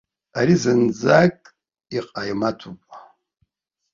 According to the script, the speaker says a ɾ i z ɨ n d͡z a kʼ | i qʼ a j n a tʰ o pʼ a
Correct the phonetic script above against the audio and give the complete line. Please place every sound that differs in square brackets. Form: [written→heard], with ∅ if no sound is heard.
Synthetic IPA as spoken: a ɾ i z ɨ n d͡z a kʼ | i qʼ a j [n→m] a tʰ [o→u] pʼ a